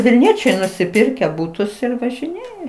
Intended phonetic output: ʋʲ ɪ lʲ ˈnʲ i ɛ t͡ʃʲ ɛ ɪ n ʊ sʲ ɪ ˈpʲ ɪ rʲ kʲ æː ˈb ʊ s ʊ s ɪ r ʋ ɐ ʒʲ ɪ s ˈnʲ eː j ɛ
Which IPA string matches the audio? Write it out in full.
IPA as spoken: ʋʲ ɪ lʲ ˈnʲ i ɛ t͡ʃʲ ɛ ɪ n ʊ sʲ ɪ ˈpʲ ɪ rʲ kʲ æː ˈb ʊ t ʊ s ɪ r ʋ ɐ ʒʲ ɪ ˈnʲ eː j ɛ